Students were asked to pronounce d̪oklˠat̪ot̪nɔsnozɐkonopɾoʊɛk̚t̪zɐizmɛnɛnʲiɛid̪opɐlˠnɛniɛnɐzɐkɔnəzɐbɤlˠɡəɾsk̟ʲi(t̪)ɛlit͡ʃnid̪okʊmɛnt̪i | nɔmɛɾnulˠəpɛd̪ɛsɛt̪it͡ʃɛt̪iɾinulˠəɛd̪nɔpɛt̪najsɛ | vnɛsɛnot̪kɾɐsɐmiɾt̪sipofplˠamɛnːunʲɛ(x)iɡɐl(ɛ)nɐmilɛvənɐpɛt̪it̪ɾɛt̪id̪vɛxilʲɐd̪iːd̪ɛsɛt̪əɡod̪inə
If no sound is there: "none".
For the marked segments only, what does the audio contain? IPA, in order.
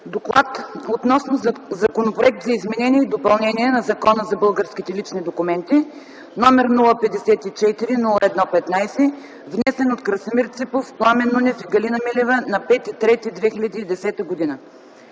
t̪, f, i

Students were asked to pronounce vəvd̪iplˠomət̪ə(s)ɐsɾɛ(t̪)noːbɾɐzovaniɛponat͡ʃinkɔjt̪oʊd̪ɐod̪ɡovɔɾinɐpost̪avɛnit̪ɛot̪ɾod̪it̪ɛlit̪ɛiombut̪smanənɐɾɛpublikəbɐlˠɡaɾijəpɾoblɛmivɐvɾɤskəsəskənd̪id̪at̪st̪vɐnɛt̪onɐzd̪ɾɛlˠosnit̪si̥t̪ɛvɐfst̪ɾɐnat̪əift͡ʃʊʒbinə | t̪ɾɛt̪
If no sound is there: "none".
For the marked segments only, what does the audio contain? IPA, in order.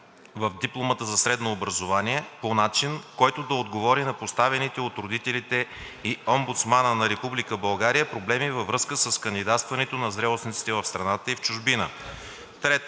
z, d̪

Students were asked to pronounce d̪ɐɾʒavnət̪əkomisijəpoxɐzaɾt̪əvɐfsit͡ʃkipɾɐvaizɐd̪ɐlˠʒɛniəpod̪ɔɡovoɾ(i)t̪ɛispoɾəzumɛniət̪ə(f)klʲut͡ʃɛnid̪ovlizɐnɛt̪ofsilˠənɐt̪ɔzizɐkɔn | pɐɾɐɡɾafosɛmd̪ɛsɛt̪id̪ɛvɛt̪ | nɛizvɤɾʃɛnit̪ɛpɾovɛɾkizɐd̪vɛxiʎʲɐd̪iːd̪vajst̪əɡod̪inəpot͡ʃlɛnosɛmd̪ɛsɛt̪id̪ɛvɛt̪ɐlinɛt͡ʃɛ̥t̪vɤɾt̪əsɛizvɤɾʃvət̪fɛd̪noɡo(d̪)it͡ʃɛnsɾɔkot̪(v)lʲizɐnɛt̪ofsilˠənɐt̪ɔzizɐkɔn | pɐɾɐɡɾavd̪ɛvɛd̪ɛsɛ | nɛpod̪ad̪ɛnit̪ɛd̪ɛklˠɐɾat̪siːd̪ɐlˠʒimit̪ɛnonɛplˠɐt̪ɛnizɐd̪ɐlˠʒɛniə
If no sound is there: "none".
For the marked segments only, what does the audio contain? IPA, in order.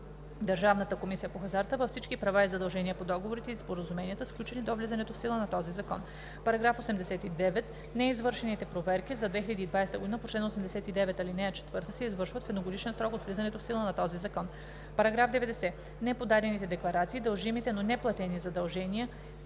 i, s, d̪, v

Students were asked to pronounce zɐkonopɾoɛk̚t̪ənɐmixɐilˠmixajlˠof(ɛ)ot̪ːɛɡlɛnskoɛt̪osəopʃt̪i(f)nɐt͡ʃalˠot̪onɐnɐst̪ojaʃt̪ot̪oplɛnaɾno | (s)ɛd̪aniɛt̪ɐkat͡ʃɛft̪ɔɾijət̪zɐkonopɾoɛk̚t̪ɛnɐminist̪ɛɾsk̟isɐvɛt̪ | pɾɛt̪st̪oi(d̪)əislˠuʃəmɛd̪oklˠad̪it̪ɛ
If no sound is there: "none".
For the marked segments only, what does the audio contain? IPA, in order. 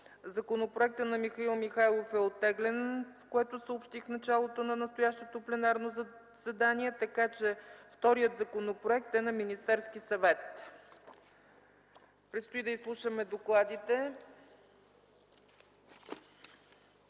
ɛ, f, s, d̪

